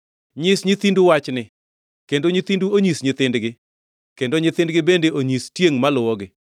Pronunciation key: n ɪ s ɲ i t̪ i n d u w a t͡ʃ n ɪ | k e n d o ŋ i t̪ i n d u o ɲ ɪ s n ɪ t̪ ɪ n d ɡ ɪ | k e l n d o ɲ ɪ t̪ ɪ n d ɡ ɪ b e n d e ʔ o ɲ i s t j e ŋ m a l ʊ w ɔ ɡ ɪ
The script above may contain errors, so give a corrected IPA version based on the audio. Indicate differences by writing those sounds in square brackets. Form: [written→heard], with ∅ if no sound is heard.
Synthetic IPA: [n→ɲ] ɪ s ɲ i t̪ i n d u w a t͡ʃ n ɪ | k e n d o [ŋ→ɲ] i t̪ i n d u o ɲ [ɪ→i] s [n→ɲ] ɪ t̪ ɪ n d ɡ ɪ | k e [l→∅] n d o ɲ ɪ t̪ ɪ n d ɡ ɪ b e n d e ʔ o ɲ i s t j e ŋ m a l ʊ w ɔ ɡ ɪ